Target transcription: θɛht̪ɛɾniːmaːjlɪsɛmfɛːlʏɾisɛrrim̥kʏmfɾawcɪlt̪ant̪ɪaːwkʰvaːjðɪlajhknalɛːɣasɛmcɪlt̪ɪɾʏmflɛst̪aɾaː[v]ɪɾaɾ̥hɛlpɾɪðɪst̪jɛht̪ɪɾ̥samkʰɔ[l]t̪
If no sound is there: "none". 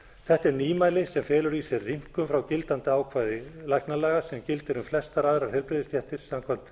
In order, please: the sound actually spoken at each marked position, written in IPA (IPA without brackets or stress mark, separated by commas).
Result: ð, l